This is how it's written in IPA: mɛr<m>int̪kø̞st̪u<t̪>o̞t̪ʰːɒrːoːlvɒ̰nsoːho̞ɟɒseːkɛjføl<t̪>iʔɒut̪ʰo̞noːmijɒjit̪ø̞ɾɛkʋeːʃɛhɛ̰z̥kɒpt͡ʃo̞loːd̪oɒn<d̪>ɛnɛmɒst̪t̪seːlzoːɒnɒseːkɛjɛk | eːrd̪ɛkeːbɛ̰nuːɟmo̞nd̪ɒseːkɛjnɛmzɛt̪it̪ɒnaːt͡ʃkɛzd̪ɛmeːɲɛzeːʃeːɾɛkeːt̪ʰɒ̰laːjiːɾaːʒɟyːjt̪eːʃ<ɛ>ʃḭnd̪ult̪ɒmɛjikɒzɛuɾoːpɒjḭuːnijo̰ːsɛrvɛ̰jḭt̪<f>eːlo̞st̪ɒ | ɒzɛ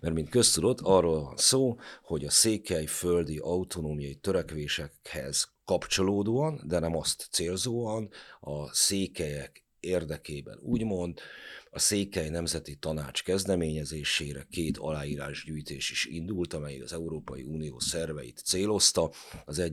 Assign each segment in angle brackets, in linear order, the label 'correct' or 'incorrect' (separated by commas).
correct, incorrect, incorrect, correct, incorrect, incorrect